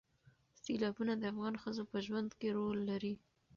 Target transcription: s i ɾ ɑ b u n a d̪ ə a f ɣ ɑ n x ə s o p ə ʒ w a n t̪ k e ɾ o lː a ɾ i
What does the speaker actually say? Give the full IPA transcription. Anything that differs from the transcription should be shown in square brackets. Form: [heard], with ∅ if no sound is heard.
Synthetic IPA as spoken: s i [l] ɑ b u n a d̪ ə a f ɣ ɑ n x ə [z] o p ə ʒ w a n [d̪] k e ɾ o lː a ɾ i